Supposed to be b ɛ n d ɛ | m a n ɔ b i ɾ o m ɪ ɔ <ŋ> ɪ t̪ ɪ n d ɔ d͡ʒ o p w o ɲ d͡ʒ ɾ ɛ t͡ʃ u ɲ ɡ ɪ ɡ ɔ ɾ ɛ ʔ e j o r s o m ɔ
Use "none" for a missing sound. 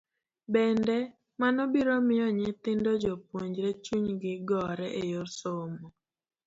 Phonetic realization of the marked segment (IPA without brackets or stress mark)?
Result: ɲ